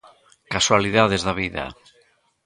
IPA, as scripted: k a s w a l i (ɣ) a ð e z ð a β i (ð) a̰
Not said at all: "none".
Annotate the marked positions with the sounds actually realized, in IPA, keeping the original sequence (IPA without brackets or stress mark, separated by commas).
ð, ð